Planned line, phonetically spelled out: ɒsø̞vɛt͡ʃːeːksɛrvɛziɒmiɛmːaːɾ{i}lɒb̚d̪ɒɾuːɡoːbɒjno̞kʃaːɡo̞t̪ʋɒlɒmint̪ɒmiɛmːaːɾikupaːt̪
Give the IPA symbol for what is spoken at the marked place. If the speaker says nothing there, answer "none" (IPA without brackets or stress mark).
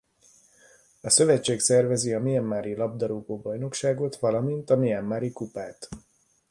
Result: i